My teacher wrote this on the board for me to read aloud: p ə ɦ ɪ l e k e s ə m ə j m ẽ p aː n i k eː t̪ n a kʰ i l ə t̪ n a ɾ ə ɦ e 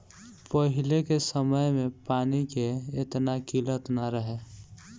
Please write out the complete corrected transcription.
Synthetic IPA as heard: p ə ɦ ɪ l e k e s ə m ə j m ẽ p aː n i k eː t̪ n a k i l ə t̪ n a ɾ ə ɦ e